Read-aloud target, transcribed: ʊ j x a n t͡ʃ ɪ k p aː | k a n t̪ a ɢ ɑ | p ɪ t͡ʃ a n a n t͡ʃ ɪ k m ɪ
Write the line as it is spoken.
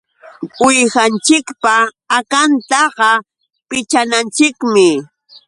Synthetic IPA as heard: ʊ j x a n t͡ʃ ɪ k p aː | k a n t̪ ɑ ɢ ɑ | p ɪ t͡ʃ a n a n t͡ʃ ɪ k m ɪ